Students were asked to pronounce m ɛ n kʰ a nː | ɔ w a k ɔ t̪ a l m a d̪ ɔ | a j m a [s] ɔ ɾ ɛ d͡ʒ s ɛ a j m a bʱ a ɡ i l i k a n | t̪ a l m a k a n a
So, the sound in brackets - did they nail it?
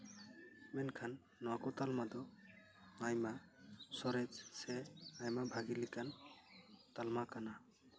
yes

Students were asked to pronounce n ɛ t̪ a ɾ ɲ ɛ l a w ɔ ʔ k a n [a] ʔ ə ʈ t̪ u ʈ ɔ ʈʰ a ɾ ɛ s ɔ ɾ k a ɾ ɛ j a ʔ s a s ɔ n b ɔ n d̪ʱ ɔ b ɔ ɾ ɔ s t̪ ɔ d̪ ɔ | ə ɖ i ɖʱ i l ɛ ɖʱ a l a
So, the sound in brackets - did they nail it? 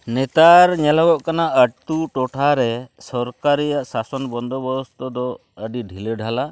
yes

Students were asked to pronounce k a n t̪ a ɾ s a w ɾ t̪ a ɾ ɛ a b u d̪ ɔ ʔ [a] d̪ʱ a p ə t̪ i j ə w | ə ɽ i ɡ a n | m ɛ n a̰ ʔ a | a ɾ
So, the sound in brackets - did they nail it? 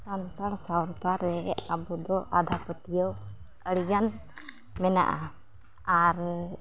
yes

